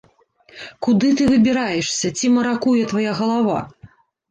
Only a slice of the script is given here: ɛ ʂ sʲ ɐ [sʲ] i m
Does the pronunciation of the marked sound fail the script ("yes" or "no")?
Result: yes